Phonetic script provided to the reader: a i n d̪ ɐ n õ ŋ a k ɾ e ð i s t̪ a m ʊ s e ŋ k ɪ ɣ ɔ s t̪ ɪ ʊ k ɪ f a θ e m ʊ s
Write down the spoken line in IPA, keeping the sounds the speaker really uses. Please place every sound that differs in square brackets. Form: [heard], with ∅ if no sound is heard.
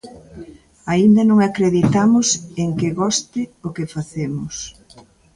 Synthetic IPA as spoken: a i n d̪ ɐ n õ ŋ a k ɾ e ð i [∅] t̪ a m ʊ s e ŋ k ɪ ɣ ɔ s t̪ ɪ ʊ k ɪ f a θ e m ʊ s